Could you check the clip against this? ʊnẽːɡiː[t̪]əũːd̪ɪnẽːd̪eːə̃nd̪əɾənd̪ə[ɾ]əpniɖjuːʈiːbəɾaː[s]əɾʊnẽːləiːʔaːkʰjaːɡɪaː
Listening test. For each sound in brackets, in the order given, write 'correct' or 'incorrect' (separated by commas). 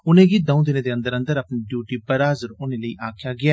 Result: incorrect, correct, incorrect